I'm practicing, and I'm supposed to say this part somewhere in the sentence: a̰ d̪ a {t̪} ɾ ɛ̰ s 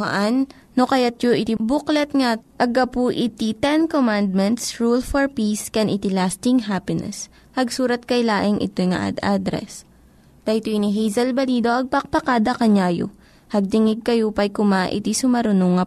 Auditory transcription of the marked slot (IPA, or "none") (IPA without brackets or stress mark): d̪